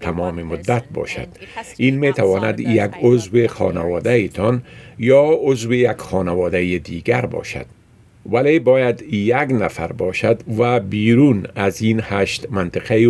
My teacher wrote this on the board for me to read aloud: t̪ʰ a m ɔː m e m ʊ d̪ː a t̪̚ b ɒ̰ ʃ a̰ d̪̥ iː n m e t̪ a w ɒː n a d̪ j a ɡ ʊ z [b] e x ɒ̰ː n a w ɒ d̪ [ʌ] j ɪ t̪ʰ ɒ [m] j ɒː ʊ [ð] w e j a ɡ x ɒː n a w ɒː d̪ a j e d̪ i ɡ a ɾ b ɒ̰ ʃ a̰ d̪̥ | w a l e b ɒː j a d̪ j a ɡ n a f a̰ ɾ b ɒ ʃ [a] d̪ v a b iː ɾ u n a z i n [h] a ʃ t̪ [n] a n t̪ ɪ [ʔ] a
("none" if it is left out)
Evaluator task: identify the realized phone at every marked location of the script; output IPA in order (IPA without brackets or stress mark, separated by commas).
w, a, n, z, a, h, m, q